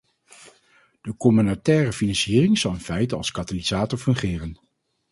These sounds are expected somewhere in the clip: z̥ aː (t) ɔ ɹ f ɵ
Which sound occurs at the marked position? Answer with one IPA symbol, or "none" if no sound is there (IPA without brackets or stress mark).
t